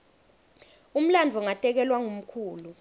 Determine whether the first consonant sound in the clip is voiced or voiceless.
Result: voiced